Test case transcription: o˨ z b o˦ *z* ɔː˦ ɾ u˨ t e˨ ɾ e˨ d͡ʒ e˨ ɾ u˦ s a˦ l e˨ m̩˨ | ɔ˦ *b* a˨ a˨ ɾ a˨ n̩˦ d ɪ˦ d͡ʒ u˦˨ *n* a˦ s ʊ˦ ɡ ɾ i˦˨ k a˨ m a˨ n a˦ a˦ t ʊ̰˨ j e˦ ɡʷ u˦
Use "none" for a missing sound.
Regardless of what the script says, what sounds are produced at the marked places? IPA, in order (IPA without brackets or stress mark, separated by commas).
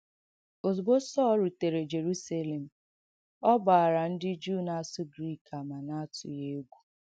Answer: s, b, n